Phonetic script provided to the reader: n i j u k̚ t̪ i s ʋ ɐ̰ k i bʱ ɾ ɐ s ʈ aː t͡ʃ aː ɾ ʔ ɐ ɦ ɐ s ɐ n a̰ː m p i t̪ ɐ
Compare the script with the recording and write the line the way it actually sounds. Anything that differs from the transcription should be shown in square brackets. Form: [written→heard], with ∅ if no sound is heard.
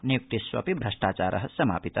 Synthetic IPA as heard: n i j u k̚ t̪ i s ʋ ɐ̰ [k→p] i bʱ ɾ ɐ [s→ʂ] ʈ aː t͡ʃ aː ɾ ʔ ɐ ɦ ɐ s ɐ [n→m] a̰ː [m→∅] p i t̪ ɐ